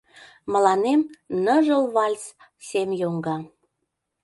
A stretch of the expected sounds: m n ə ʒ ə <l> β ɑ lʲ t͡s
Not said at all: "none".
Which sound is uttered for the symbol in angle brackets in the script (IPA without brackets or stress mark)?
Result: l